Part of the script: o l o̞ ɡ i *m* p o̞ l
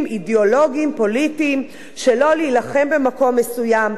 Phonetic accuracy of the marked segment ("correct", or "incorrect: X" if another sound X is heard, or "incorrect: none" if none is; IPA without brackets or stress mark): correct